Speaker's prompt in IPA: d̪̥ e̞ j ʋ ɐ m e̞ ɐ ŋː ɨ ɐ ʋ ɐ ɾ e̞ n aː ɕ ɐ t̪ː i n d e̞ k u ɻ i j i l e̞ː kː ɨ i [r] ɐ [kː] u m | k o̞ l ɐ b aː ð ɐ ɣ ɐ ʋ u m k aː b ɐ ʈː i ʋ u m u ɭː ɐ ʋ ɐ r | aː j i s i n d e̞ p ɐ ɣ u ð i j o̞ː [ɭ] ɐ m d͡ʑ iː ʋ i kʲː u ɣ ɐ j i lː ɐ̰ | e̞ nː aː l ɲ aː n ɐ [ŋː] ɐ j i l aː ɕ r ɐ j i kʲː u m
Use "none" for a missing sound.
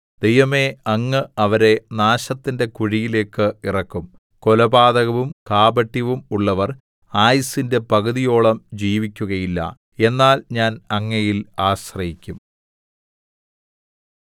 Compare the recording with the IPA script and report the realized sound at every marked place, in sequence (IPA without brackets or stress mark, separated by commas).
r, kː, ɭ, ŋː